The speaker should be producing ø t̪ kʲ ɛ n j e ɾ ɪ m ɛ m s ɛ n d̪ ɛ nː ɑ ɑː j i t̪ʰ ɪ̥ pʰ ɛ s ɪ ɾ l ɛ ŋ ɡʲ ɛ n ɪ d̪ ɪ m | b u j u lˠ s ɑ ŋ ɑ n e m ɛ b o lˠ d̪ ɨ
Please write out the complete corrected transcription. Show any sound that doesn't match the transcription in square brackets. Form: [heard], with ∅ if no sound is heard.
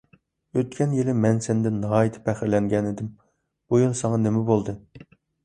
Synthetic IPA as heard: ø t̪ kʲ ɛ n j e [l] ɪ m ɛ [n] s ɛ n d̪ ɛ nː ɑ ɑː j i t̪ʰ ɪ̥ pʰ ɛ [χ] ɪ ɾ l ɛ ŋ ɡʲ ɛ n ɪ d̪ ɪ m | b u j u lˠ s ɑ ŋ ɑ n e m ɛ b o lˠ d̪ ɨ